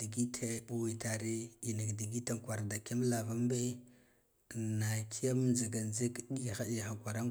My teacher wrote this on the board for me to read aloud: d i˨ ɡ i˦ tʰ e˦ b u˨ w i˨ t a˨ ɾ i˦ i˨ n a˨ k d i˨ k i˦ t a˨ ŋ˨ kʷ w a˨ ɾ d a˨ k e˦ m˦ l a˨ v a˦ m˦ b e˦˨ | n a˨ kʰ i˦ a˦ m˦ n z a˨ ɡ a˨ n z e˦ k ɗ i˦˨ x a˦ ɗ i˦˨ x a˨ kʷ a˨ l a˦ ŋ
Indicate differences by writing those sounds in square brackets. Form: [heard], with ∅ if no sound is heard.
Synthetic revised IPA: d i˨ ɡ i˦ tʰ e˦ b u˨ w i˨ t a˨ ɾ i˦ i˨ n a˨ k d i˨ [ɡ] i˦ t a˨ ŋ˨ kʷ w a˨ ɾ d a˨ k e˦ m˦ l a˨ v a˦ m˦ b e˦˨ | n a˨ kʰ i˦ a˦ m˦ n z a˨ ɡ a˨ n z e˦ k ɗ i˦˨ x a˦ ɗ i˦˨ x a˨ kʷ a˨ [ɾ] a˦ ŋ

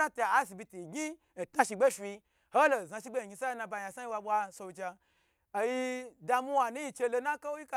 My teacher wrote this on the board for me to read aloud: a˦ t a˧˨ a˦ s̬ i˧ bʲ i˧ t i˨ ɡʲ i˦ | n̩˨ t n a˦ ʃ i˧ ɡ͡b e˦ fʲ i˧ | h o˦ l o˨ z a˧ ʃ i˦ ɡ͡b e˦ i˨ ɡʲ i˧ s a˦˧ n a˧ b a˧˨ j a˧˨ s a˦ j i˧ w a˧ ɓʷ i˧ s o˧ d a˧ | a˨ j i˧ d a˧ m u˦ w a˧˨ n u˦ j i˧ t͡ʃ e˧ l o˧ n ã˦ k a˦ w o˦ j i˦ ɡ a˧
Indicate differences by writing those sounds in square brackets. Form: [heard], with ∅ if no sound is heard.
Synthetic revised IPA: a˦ t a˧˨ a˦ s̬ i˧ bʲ i˧ t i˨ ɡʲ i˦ | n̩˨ t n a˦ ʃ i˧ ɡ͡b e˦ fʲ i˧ | h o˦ l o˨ z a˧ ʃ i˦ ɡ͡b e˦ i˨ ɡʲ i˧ s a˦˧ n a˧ b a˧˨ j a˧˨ s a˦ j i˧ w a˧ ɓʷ [a˧] s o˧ [d͡ʒ] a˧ | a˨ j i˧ d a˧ m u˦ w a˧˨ n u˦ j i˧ t͡ʃ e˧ l o˧ n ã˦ k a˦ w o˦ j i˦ [k] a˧

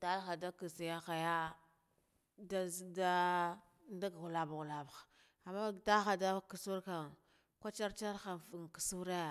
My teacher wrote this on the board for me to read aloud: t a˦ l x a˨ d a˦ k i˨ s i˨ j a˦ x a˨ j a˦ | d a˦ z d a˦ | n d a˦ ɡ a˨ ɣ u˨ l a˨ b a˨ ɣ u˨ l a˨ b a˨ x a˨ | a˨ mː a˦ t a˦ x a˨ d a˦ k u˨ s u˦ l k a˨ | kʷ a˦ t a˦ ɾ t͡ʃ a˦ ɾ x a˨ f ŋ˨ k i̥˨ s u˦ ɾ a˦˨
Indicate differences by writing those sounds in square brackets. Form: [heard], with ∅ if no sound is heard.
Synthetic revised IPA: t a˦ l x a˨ d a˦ k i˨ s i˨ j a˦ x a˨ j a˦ | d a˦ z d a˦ | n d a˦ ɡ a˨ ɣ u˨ l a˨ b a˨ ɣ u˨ l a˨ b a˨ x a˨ | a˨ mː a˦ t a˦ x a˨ d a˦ k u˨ s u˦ [ɾ] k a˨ | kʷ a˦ [t͡ʃ] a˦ ɾ t͡ʃ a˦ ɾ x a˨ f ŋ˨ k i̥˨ s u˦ ɾ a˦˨

